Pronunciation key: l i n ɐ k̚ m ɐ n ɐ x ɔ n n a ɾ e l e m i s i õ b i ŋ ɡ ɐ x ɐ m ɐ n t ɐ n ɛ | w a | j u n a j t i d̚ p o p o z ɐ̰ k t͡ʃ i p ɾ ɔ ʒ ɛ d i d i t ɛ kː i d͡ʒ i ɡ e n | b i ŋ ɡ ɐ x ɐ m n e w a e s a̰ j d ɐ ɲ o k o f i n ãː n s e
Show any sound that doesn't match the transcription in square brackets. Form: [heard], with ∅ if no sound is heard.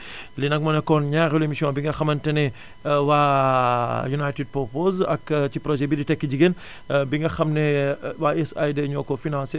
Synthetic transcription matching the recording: l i n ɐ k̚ m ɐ n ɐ [k] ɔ n [ɲ] a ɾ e l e m i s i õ b i ŋ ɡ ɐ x ɐ m ɐ n t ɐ n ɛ | w a | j u n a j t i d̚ p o p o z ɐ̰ k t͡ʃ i p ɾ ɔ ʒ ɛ [b] i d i t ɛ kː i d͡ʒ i ɡ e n | b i ŋ ɡ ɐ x ɐ m n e w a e s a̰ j d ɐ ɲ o k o f i n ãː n s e